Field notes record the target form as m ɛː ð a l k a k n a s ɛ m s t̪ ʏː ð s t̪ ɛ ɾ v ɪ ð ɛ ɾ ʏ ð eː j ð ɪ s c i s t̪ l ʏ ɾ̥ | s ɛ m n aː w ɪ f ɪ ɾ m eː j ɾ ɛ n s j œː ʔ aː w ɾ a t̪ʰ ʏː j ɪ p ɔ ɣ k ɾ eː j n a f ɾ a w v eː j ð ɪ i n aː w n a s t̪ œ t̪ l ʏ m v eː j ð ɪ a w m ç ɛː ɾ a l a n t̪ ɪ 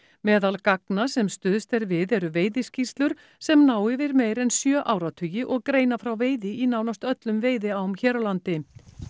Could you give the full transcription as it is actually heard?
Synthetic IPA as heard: m ɛː ð a l k a k n a s ɛ m s t̪ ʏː ð s t̪ ɛ ɾ v ɪ ð ɛ ɾ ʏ v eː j ð ɪ s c i s t̪ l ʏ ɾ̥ | s ɛ m n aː w ɪ v ɪ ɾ m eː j ɾ ɛ n s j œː ʔ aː w ɾ a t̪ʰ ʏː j ɪ ʔ ɔ ɣ k ɾ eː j n a f ɾ a w v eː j ð ɪ i n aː w n a s t̪ œ t̪ l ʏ m v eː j ð ɪ a w m ç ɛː ɾ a l a n t̪ ɪ